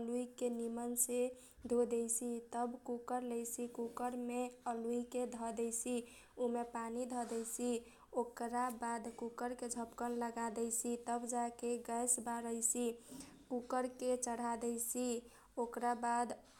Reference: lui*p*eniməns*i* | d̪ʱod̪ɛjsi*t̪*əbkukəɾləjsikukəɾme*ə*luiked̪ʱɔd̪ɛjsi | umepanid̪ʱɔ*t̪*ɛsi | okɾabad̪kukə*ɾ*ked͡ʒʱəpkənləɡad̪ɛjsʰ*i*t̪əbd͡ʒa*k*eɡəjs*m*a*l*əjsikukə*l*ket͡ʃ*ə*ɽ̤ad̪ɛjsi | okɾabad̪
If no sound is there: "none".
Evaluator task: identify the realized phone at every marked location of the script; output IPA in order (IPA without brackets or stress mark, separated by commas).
k, e, t̪, ə, d̪, ɾ, i, k, b, ɾ, ɾ, ə